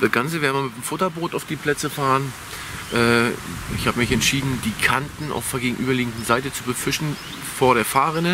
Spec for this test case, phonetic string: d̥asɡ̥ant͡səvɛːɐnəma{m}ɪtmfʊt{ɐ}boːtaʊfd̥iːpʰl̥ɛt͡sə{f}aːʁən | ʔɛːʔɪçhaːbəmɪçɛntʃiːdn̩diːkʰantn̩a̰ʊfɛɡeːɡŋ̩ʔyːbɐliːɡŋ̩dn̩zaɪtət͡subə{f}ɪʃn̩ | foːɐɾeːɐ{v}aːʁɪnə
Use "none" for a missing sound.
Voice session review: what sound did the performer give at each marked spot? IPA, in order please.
m, ɐ, f, f, f

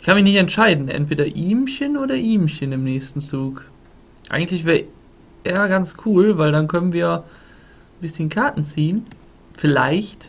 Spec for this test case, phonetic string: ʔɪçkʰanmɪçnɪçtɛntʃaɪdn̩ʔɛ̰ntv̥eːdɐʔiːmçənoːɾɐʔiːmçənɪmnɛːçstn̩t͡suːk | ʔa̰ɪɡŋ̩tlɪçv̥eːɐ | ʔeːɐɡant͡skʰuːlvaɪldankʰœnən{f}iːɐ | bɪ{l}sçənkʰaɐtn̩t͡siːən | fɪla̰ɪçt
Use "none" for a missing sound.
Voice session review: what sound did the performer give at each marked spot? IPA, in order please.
v, none

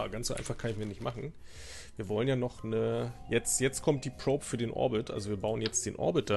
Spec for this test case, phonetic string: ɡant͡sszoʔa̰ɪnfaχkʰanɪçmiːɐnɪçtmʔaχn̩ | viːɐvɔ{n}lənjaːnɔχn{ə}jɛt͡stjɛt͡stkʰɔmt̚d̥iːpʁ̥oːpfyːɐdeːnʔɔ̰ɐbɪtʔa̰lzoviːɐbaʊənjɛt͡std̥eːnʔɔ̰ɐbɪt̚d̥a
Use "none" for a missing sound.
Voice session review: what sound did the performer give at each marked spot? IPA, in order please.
none, ə

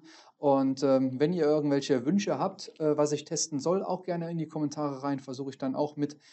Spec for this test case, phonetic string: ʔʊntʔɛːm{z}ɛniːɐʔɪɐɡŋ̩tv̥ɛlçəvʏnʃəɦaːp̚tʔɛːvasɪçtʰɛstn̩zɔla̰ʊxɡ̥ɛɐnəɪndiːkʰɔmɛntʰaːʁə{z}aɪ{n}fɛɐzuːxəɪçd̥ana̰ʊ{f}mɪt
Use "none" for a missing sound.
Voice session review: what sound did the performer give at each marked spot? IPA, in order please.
v, ʁ, n, x

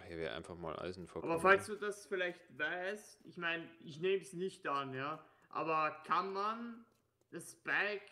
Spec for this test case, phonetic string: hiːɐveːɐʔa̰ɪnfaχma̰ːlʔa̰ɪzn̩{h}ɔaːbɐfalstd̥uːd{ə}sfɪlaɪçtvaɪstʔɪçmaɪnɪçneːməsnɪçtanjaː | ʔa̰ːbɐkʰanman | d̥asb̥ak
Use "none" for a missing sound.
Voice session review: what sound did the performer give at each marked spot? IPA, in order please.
f, a

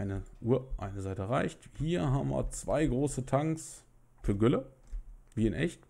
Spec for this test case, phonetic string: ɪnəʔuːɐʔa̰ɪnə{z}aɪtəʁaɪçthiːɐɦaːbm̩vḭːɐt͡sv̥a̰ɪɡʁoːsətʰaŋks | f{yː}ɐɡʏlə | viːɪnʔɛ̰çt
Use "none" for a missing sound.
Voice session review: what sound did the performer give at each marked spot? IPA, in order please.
z, yː

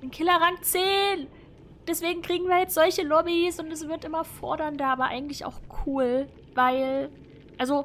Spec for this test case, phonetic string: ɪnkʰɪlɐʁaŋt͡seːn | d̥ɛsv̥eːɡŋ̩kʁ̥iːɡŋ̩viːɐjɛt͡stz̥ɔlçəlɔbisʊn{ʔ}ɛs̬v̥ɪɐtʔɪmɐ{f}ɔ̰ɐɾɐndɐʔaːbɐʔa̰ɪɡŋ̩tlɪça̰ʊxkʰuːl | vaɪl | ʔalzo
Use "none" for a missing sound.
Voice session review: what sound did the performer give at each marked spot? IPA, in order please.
t, f

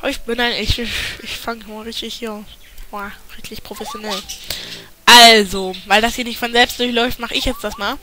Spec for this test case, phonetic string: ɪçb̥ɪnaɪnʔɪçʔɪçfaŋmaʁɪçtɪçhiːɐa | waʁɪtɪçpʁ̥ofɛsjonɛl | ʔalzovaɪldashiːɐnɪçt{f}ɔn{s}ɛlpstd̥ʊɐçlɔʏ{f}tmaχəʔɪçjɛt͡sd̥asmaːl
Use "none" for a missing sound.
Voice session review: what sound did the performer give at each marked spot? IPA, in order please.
f, z, f

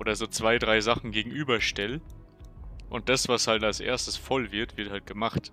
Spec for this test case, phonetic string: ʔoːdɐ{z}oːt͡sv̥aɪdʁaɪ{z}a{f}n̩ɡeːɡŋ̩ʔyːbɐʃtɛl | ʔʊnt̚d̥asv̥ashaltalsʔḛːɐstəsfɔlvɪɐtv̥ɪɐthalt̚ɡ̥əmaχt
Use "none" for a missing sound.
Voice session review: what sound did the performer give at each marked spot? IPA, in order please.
z, z, χ

